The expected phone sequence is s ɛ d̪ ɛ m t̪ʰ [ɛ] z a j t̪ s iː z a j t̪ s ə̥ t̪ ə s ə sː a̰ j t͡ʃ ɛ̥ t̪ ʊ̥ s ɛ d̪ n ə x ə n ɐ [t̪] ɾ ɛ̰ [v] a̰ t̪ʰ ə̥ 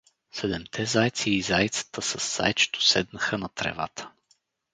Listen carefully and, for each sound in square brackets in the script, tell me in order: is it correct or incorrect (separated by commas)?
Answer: correct, correct, correct